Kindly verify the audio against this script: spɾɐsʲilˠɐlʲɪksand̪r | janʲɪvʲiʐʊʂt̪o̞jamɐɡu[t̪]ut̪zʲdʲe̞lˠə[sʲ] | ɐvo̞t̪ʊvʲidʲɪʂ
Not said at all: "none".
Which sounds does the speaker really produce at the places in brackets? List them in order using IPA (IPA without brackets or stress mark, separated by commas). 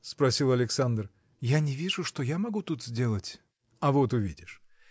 t̪, tʲ